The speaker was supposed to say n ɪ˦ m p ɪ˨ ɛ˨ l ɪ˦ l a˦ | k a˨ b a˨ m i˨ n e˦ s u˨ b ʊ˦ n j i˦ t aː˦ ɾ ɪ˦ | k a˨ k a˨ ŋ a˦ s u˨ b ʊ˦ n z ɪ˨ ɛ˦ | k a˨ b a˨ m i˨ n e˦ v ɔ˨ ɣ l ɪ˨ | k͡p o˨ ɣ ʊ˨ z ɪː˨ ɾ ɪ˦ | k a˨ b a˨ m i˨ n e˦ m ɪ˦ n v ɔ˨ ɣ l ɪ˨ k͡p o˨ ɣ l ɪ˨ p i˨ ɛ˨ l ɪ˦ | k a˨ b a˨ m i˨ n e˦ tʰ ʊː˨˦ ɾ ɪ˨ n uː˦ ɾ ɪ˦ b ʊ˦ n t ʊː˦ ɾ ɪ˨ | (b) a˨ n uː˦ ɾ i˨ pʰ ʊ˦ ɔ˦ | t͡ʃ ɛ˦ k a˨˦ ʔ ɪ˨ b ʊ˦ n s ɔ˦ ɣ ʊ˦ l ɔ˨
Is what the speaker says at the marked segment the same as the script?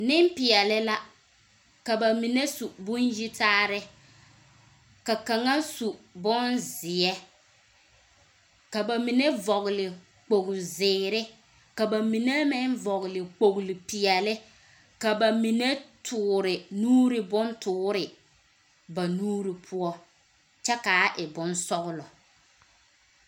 yes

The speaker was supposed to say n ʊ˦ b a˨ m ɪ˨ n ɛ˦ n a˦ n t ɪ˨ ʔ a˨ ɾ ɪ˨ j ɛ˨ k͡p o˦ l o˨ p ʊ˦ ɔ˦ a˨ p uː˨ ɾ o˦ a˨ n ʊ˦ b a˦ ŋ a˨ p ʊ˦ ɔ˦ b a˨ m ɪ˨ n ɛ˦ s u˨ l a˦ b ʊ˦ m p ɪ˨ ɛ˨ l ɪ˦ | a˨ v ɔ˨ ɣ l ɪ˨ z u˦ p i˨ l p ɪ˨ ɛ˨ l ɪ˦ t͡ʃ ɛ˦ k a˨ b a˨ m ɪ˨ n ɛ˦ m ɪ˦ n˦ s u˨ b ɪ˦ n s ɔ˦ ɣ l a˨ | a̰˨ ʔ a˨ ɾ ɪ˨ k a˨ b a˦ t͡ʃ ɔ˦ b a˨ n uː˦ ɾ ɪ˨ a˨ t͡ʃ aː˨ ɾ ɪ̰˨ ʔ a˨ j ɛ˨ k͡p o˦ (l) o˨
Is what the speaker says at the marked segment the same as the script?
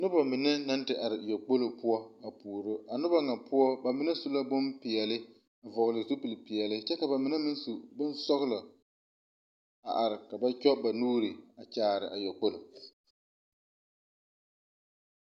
yes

